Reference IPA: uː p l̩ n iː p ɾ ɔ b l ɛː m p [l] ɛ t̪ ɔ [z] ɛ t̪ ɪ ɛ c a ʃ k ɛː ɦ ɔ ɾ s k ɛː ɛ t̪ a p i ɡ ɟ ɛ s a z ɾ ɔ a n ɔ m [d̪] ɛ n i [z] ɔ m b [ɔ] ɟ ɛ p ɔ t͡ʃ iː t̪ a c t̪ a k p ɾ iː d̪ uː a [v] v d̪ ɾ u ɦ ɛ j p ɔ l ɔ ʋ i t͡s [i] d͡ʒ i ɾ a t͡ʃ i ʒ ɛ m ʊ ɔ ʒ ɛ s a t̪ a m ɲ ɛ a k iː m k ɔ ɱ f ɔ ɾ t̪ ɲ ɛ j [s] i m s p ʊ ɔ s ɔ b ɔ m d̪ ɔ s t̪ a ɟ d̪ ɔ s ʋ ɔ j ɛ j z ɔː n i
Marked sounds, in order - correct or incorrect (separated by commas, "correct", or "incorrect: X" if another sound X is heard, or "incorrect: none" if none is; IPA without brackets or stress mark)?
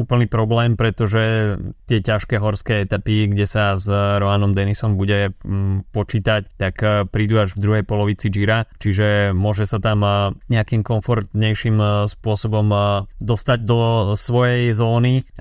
incorrect: ɾ, incorrect: ʒ, correct, incorrect: s, incorrect: u, incorrect: ʒ, correct, incorrect: ʃ